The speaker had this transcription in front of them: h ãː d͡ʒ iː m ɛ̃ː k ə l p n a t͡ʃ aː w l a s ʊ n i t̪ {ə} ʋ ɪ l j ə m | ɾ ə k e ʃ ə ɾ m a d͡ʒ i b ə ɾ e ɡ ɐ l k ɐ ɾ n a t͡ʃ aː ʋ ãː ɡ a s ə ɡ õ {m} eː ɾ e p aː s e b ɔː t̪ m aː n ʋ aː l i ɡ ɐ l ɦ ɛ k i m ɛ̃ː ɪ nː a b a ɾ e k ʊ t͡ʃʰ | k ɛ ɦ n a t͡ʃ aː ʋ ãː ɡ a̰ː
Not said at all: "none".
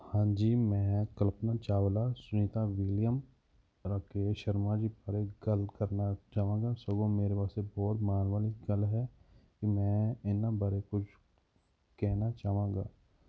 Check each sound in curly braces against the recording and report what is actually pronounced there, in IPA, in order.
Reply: a, m

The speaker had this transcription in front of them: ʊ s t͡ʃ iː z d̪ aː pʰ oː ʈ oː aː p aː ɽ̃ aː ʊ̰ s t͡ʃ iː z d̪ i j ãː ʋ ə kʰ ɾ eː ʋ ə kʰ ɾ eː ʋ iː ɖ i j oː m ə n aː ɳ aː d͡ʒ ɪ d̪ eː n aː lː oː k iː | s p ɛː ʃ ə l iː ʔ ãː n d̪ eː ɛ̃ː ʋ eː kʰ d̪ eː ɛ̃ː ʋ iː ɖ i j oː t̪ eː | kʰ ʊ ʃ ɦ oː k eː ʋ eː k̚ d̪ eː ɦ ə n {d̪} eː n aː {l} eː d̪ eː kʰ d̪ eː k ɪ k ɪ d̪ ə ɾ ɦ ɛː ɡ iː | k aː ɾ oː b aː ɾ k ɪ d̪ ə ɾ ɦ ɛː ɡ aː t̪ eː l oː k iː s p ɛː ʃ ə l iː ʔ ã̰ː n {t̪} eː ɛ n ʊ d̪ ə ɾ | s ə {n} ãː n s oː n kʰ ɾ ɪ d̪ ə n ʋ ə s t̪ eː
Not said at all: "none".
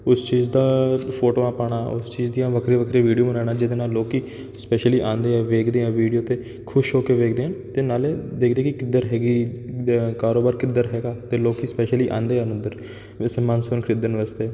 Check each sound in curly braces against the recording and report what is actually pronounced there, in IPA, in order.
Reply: t̪, l, d̪, m

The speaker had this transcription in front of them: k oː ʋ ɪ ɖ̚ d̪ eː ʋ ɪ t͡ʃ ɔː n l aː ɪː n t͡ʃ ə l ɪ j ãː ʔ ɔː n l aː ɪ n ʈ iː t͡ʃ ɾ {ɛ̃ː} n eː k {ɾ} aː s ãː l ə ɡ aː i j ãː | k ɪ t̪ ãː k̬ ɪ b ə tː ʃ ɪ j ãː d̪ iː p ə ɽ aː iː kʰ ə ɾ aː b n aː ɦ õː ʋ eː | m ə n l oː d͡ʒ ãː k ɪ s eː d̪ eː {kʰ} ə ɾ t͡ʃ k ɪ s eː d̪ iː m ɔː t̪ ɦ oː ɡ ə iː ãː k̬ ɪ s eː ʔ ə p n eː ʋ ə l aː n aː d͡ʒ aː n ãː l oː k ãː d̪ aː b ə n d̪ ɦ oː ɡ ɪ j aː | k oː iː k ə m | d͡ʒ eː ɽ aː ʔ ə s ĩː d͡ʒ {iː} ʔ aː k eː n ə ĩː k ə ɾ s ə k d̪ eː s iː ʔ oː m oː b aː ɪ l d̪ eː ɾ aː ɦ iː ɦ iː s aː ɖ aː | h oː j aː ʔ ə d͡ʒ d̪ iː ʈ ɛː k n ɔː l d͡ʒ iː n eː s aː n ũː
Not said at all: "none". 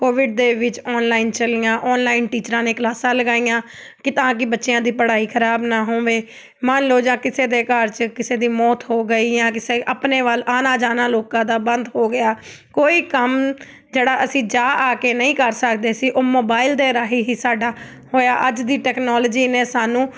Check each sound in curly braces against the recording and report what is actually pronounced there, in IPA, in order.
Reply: ãː, l, k, aː

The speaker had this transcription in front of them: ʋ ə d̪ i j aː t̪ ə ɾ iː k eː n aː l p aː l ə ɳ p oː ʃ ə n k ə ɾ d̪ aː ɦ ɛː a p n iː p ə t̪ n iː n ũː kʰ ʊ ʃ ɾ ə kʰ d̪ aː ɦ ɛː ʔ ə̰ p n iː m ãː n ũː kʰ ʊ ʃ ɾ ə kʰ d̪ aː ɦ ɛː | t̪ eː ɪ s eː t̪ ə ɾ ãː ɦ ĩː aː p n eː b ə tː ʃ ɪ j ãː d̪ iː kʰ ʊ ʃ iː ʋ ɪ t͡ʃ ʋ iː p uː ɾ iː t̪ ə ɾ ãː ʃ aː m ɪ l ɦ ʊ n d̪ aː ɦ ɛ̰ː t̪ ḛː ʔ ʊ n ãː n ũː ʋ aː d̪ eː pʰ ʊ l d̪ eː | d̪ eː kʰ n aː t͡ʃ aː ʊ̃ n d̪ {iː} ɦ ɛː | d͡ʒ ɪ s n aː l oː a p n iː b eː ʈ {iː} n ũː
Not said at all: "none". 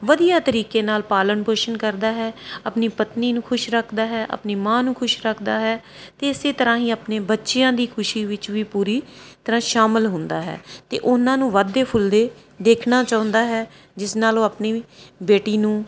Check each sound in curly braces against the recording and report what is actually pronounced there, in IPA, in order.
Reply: aː, iː

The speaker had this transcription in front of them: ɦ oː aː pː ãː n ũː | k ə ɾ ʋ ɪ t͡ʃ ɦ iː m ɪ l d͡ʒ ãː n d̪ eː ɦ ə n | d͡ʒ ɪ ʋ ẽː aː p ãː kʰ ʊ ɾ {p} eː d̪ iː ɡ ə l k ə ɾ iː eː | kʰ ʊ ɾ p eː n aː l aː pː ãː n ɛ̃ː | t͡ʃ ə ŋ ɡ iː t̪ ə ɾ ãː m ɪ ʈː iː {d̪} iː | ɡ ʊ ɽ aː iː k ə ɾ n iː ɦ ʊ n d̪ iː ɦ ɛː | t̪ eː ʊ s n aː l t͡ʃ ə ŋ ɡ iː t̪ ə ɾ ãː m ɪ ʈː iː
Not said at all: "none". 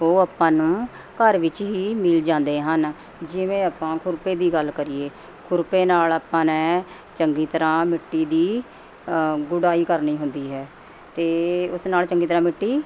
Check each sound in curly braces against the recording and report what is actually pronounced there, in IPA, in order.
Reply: p, d̪

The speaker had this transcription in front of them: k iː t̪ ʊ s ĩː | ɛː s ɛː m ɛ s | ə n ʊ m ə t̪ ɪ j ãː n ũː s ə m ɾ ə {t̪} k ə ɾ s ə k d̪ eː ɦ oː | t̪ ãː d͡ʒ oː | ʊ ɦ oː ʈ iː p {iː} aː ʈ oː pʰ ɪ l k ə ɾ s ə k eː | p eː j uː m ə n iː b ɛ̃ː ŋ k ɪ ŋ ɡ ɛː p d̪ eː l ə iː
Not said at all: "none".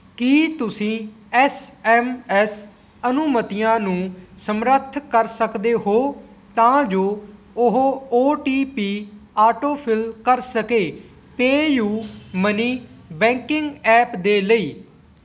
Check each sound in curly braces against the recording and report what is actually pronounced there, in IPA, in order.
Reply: t̪ʰ, iː

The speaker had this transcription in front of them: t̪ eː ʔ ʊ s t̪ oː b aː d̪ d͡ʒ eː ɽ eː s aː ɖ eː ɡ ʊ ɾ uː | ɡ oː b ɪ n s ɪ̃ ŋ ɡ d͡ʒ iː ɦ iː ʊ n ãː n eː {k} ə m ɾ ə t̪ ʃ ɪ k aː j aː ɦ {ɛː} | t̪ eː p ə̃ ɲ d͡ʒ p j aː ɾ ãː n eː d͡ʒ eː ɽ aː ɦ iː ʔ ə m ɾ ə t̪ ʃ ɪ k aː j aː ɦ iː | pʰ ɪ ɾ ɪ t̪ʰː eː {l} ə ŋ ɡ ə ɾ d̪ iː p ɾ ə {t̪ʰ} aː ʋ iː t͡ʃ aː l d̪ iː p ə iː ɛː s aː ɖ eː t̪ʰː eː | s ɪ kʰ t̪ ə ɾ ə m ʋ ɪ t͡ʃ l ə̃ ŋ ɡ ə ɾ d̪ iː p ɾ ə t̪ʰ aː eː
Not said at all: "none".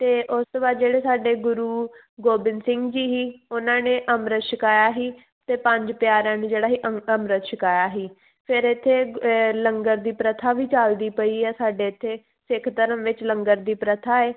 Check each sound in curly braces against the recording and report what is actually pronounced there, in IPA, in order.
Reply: ʔ, iː, l, t̪ʰ

